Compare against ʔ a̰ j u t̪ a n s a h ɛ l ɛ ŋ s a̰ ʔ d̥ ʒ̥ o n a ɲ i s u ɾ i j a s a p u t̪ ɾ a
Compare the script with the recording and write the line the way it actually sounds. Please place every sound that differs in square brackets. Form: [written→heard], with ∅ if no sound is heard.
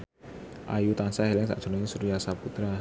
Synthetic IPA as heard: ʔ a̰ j u t̪ a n s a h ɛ l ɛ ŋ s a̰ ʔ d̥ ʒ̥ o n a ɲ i s u ɾ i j a s a p u t̪ ɾ a